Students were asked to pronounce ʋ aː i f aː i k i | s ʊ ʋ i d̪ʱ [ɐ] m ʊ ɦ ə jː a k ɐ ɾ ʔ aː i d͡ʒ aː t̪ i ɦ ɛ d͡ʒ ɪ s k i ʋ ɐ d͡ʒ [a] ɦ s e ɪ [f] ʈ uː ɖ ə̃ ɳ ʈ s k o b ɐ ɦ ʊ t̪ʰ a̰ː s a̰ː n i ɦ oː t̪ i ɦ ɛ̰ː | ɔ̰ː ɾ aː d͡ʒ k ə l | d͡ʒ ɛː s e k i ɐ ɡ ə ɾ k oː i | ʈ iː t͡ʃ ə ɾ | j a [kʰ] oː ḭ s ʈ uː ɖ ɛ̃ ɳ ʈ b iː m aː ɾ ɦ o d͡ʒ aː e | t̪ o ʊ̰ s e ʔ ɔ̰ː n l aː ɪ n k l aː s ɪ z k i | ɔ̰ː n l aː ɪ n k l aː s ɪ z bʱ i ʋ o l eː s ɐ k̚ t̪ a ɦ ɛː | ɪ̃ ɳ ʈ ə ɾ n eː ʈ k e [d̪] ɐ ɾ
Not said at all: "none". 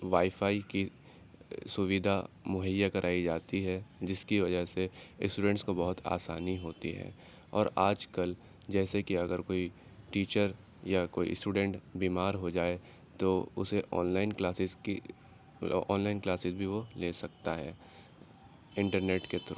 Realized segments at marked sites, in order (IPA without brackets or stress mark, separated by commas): a, ə, s, k, t̪